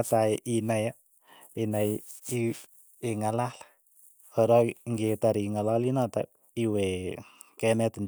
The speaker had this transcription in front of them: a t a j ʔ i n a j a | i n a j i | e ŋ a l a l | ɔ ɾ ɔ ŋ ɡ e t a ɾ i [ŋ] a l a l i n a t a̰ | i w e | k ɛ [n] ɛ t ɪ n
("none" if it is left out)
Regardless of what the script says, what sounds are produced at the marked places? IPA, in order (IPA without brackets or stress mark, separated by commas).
ŋ, m